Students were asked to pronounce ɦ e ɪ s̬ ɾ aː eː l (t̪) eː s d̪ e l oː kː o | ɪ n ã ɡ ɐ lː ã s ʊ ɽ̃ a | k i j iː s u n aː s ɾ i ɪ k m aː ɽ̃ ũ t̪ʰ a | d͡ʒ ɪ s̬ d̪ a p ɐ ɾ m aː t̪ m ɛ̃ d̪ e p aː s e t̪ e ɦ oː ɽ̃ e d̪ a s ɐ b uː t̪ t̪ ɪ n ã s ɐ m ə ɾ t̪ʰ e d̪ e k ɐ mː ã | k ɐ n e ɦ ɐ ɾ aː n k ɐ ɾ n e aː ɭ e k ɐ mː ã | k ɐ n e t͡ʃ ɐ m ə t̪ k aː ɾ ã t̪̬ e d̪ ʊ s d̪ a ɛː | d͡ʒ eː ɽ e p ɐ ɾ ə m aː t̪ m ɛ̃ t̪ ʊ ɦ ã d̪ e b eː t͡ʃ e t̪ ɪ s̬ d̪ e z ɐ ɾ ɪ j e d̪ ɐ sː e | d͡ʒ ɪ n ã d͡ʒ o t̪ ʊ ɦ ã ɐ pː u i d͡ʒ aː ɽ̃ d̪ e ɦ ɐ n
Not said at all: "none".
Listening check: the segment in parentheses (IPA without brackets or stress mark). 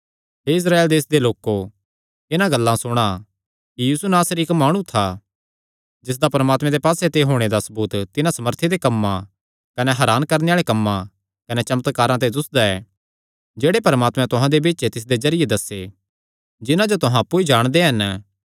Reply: d̪